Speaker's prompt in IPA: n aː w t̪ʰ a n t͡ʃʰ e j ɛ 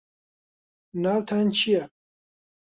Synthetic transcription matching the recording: n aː w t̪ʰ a n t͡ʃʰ i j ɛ